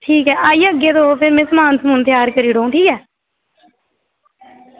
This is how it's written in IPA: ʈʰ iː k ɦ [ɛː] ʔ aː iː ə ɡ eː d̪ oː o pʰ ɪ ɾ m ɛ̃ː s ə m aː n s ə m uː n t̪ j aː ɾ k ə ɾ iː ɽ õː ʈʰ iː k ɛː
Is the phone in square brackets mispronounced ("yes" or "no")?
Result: no